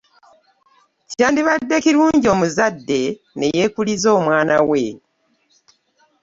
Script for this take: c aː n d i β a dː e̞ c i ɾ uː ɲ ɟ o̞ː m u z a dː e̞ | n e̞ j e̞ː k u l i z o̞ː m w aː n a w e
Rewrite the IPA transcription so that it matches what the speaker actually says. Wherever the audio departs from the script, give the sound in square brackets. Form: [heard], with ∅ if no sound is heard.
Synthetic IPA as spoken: c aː n d i β a dː e̞ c i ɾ uː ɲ ɟ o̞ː m u z a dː e̞ | n e̞ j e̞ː k u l i z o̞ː m w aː n a w e